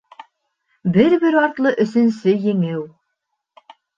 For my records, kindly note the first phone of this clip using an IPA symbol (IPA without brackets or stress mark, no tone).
b